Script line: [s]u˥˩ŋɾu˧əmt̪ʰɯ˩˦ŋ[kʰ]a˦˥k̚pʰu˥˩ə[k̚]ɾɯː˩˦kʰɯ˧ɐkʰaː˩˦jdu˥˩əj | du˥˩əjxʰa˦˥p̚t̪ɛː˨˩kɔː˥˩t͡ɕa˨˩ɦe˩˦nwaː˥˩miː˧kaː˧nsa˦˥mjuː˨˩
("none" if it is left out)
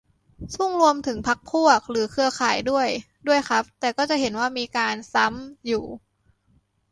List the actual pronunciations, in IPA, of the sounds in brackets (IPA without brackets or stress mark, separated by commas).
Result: s, pʰ, k̚